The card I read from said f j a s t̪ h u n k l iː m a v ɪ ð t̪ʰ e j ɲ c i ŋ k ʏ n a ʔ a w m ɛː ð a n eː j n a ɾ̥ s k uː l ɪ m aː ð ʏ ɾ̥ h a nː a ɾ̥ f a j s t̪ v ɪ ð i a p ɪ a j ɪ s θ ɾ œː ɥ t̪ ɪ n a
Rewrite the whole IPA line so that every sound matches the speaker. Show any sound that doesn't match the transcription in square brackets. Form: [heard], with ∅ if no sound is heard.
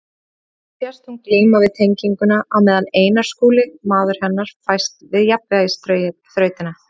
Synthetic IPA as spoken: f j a s t̪ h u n k l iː m a v ɪ ð t̪ʰ e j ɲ c i ŋ k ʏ n a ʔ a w m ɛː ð a n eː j n a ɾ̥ s k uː l ɪ m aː ð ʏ ɾ̥ h [ɛ] nː a ɾ̥ f a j s t̪ v ɪ ð [j] a p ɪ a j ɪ s θ ɾ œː ɥ t̪ ɪ n a

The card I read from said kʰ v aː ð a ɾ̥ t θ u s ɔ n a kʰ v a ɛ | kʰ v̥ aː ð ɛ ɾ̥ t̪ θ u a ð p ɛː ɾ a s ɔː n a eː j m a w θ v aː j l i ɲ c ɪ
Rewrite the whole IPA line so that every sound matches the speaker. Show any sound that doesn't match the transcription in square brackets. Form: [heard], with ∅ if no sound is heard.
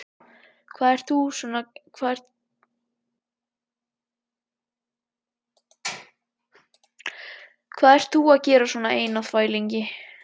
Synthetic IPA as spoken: kʰ v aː ð [ɛ] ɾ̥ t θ u s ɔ n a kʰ v a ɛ | kʰ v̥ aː ð ɛ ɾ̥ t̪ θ u a ð [c] ɛː ɾ a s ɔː n a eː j [n] a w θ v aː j l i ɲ c ɪ

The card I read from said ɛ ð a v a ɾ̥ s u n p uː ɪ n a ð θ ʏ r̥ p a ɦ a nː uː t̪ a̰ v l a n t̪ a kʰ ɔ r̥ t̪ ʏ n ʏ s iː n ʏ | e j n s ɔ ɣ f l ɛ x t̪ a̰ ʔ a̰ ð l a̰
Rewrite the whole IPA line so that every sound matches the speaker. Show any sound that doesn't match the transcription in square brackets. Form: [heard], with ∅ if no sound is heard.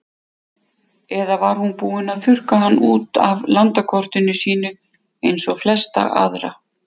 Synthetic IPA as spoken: ɛ ð a v a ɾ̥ [h] u n p uː ɪ n a ð θ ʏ r̥ [k] a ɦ a nː uː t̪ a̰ v l a n t̪ a kʰ ɔ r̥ t̪ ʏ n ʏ s iː n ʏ | e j n s ɔ ɣ f l ɛ [s] t̪ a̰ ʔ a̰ ð [ɾ] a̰

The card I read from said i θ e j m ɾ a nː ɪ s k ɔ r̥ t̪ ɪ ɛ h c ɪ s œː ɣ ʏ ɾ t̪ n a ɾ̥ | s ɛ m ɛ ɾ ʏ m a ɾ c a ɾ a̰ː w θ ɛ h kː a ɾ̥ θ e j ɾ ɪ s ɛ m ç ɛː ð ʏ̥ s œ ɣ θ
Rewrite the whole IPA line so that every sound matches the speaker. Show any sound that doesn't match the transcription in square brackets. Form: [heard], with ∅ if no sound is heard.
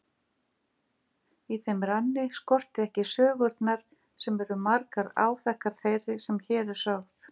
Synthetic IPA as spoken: i θ e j m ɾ a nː ɪ s k ɔ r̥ t̪ ɪ ɛ h c ɪ s œː ɣ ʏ ɾ t̪ n a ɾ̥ | s ɛ m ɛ ɾ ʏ m a ɾ [k] a ɾ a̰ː w θ ɛ h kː a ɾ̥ θ e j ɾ ɪ s ɛ m ç ɛː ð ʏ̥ s œ ɣ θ

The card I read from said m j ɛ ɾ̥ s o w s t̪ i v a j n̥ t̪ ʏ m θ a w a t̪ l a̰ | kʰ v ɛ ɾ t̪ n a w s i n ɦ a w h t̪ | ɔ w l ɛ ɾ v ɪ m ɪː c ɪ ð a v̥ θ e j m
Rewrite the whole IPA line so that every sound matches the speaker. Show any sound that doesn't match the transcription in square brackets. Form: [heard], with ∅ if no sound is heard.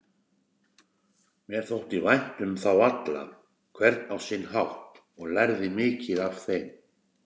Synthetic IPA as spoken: m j ɛ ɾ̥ [θ] o w [h] t̪ i v a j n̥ t̪ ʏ m θ a w a t̪ l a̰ | kʰ v ɛ ɾ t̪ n a w s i n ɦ a w h t̪ | ɔ [ɣ] l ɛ ɾ [ð] ɪ m ɪː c ɪ ð a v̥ θ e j m

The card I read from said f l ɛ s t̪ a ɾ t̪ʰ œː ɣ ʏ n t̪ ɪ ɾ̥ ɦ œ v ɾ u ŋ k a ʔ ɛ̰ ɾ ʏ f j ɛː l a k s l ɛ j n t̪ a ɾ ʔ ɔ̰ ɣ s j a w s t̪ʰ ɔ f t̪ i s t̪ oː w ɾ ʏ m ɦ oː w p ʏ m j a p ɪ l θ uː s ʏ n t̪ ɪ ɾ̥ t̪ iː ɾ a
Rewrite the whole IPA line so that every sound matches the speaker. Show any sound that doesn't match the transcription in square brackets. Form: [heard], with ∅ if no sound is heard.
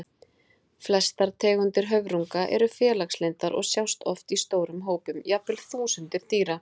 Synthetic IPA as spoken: f l ɛ s t̪ a ɾ t̪ʰ [ɛː] ɣ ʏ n t̪ ɪ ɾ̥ ɦ œ v ɾ u ŋ k a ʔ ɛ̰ ɾ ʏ f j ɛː l a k s l [e] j n t̪ a ɾ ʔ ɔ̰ ɣ s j a w s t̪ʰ ɔ f t̪ i s t̪ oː w ɾ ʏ m ɦ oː w p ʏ m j a p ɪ l θ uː s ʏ n t̪ ɪ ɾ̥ t̪ iː ɾ a

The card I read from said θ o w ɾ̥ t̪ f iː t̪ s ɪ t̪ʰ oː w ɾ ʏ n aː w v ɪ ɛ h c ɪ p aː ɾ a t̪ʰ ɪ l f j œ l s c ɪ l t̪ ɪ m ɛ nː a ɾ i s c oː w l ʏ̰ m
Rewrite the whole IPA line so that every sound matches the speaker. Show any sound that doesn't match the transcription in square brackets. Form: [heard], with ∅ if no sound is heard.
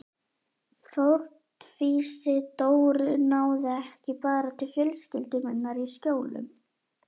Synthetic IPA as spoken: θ o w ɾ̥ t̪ f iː [∅] s ɪ [t̪] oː w ɾ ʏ n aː w [ð] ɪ ɛ h c ɪ p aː ɾ a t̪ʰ ɪ l f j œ l s c ɪ l t̪ ɪ m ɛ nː a ɾ i s c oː w l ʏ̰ m

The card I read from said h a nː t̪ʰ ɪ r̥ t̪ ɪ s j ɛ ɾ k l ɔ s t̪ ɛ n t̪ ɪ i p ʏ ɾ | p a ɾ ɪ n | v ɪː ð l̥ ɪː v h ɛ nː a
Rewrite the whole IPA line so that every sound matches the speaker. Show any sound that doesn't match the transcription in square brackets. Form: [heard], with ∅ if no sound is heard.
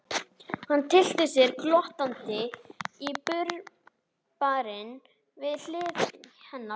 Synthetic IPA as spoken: h a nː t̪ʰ ɪ [l̥] t̪ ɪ s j ɛ ɾ k l ɔ [h] t̪ [a] n t̪ ɪ i p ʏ ɾ | p a ɾ ɪ n | v [ɪ] ð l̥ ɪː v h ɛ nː a

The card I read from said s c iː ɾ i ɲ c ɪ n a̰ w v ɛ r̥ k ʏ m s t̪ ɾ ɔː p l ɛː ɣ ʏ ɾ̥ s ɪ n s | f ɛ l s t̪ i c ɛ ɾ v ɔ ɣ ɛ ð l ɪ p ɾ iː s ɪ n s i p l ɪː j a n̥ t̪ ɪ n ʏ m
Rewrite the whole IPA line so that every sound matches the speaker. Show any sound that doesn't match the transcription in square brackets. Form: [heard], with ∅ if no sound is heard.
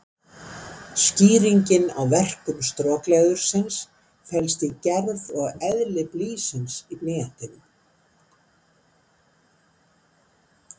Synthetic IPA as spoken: s c iː ɾ i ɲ c ɪ n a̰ w v ɛ r̥ k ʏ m s t̪ ɾ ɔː [k] l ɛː ɣ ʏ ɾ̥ s ɪ n s | f ɛ l s t̪ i c ɛ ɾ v ɔ ɣ ɛ ð l ɪ p [l] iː s ɪ n s i p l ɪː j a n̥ t̪ ɪ n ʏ m

